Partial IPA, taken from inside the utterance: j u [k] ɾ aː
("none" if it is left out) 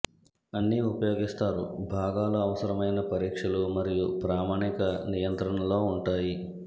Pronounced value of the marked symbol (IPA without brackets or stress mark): p